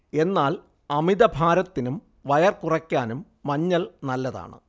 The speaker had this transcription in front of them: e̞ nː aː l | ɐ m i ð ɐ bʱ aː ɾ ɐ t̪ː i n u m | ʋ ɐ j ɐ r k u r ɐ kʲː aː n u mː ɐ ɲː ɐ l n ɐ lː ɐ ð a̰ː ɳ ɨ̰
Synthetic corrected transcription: e̞ nː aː l | ɐ m i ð ɐ bʱ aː ɾ ɐ t̪ː i n u m | ʋ ɐ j ɐ r k u r ɐ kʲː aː n u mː ɐ ɲː ɐ l n ɐ lː ɐ ð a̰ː ɳ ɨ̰

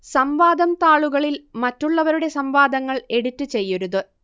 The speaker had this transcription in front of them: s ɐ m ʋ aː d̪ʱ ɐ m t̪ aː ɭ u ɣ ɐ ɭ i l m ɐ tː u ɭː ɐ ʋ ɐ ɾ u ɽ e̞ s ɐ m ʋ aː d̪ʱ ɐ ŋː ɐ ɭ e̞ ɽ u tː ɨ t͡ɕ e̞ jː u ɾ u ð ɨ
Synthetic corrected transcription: s ɐ m ʋ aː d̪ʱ ɐ m t̪ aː ɭ u ɣ ɐ ɭ i l m ɐ tː u ɭː ɐ ʋ ɐ ɾ u ɽ e̞ s ɐ m ʋ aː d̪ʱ ɐ ŋː ɐ ɭ e̞ ɽ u tː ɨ t͡ɕ e̞ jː u ɾ u ð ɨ

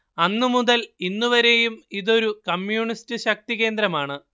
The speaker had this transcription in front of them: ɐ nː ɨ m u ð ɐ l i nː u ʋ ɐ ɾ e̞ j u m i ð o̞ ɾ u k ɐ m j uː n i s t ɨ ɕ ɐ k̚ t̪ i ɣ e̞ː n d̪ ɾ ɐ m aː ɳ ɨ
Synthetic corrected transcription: ɐ nː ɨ m u ð ɐ l i nː u ʋ ɐ ɾ e̞ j u m i ð o̞ ɾ u k ɐ m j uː ɳ i s t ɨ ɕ ɐ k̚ t̪ i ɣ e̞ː n d̪ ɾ ɐ m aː ɳ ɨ

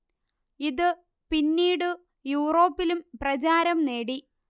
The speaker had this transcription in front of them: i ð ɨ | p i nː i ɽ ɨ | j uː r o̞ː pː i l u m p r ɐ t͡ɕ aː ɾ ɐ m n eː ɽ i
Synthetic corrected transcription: i ð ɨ | p i nː iː ɽ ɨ | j uː r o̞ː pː i l u m p r ɐ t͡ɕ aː ɾ ɐ m n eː ɽ i

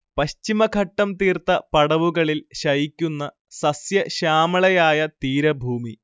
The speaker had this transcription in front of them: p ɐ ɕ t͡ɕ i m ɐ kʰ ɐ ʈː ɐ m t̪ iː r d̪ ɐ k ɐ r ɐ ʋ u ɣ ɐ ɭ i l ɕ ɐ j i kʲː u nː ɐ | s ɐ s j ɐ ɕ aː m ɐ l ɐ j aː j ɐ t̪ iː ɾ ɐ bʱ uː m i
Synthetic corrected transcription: p ɐ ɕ t͡ɕ i m ɐ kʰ ɐ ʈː ɐ m t̪ iː r t̪ ɐ p ɐ ɽ ɐ ʋ u ɣ ɐ ɭ i l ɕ ɐ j i kʲː u nː ɐ | s ɐ s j ɐ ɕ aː m ɐ ɭ ɐ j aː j ɐ t̪ iː ɾ ɐ bʱ uː m i

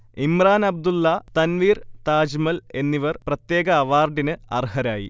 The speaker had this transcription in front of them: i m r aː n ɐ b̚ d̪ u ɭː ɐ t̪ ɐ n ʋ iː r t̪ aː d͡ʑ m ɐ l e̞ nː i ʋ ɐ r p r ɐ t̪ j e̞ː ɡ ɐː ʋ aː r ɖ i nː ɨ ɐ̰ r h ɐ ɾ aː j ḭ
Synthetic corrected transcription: i m r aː n ɐ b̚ d̪ u lː ɐ t̪ ɐ n ʋ iː r t̪ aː d͡ʑ m ɐ l e̞ nː i ʋ ɐ r p r ɐ t̪ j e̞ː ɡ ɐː ʋ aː r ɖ i n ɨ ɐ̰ r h ɐ ɾ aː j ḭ

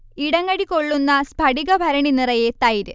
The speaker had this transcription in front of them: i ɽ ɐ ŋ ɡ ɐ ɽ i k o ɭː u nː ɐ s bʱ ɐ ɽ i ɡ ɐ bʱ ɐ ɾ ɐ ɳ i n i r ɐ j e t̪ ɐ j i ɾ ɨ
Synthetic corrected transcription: i ɽ ɐ ŋ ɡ ɐ ɽ i k o ɭː u nː ɐ s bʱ ɐ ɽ i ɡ ɐ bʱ ɐ ɾ ɐ ɳ i n i r ɐ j e t̪ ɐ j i ɾ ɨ

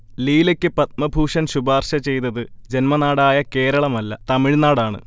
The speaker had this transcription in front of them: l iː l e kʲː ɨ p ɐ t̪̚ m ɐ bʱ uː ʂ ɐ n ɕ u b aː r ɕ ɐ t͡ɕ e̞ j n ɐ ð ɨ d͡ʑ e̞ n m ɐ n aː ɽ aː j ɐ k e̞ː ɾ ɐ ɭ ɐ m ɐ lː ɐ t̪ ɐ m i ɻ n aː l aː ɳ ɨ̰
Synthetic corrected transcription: l iː l e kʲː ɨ p ɐ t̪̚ m ɐ bʱ uː ʂ ɐ n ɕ u b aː r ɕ ɐ t͡ɕ e̞ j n ɐ ð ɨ d͡ʑ e̞ n m ɐ n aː ɽ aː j ɐ k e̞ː ɾ ɐ ɭ ɐ m ɐ lː ɐ t̪ ɐ m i ɻ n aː ɽ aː ɳ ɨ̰

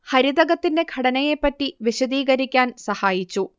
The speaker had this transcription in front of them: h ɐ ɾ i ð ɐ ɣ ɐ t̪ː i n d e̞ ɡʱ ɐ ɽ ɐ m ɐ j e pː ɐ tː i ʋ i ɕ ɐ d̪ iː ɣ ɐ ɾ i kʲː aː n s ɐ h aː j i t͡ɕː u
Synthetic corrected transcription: h ɐ ɾ i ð ɐ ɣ ɐ t̪ː i n d e̞ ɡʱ ɐ ɽ ɐ n ɐ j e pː ɐ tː i ʋ i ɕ ɐ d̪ iː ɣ ɐ ɾ i kʲː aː n s ɐ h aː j i t͡ɕː u

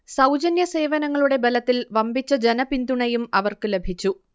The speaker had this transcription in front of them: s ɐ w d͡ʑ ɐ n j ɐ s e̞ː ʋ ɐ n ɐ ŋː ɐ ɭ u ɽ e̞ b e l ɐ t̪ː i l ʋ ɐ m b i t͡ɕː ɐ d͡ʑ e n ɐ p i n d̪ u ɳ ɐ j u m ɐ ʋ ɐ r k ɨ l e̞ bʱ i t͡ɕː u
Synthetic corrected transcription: s ɐ w d͡ʑ ɐ n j ɐ s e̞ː ʋ ɐ n ɐ ŋː ɐ ɭ u ɽ e̞ b e l ɐ t̪ː i l ʋ ɐ m b i t͡ɕː ɐ d͡ʑ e n ɐ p i n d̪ u ɳ ɐ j u m ɐ ʋ ɐ r k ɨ l e̞ bʱ i t͡ɕː u

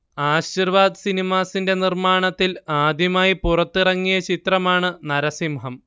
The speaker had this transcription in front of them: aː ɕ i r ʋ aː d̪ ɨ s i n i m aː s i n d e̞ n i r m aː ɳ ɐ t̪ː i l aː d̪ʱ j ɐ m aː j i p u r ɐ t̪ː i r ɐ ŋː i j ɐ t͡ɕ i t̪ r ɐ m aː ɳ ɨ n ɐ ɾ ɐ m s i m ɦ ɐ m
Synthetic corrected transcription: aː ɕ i r ʋ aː d̪ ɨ s i n i m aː s i n d e̞ n i r m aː ɳ ɐ t̪ː i l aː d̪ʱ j ɐ m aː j i p u r ɐ t̪ː i r ɐ ŋː i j ɐ t͡ɕ i t̪ r ɐ m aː ɳ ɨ n ɐ ɾ ɐ s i m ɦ ɐ m

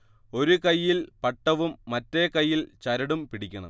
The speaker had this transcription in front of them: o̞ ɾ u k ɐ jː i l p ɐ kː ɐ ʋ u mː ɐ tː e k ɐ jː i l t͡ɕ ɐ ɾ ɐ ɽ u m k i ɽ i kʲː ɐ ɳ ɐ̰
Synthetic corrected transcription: o̞ ɾ u k ɐ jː i l p ɐ ʈː ɐ ʋ u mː ɐ tː e k ɐ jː i l t͡ɕ ɐ ɾ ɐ ɽ u m p i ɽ i kʲː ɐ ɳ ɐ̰

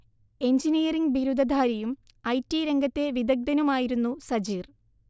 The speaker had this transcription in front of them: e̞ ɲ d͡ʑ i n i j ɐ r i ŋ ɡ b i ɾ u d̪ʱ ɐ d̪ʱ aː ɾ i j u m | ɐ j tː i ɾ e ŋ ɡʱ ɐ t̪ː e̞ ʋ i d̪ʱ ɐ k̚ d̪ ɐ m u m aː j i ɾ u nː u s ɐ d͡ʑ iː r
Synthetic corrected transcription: e̞ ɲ d͡ʑ i n i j ɐ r i ŋ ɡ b i ɾ u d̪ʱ ɐ d̪ʱ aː ɾ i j u m | ɐ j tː i ɾ e ŋ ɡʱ ɐ t̪ː e̞ ʋ i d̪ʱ ɐ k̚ d̪ ɐ n u m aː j i ɾ u nː u s ɐ d͡ʑ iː r

